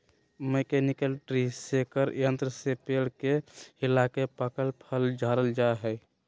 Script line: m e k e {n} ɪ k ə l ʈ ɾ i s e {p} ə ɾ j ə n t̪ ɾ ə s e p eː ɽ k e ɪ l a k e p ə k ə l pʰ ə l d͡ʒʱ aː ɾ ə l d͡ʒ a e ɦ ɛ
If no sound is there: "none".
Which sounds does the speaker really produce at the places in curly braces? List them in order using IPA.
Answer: n, k

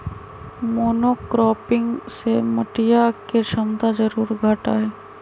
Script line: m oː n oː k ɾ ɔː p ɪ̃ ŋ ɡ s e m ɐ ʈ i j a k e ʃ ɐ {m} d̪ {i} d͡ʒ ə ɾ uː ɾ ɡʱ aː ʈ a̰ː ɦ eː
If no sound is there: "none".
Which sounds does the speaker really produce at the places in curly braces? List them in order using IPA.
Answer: m, a

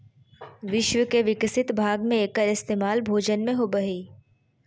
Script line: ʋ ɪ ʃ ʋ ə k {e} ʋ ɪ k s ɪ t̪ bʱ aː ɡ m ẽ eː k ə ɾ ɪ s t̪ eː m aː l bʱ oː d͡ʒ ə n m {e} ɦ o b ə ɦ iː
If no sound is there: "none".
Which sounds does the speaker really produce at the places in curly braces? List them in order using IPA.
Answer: e, ẽ

